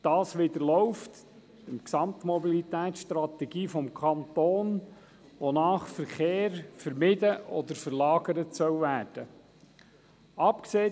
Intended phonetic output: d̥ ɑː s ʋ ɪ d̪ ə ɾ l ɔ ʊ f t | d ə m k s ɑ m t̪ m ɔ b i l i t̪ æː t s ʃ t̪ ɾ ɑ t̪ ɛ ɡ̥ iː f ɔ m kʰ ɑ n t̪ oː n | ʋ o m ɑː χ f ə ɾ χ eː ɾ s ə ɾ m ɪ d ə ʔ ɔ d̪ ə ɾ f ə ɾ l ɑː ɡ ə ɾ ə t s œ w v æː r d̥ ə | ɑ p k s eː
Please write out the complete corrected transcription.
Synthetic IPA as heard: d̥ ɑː s ʋ ɪ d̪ ə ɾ l ɔ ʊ f t | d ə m k s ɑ m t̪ m ɔ b i l i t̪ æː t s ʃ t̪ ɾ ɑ t̪ ɛ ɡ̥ iː f ɔ m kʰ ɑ n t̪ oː n | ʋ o n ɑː χ f ə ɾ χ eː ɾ f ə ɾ m ɪ d ə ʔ ɔ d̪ ə ɾ f ə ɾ l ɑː ɡ ə ɾ ə t s œ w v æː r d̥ ə | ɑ p k s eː